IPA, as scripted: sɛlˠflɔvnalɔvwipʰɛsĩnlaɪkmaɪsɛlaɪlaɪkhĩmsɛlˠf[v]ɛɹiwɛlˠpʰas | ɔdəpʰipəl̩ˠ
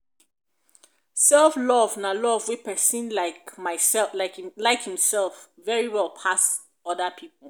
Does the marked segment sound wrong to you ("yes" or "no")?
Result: no